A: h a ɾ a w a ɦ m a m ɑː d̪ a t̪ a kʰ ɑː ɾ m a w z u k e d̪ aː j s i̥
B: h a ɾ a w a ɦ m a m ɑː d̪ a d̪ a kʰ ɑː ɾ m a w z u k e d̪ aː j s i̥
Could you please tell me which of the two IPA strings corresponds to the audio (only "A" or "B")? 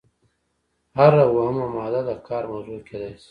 B